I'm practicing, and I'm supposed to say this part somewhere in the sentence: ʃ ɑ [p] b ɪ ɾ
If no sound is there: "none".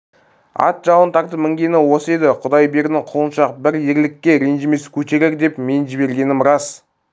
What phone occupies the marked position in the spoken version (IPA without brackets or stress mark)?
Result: q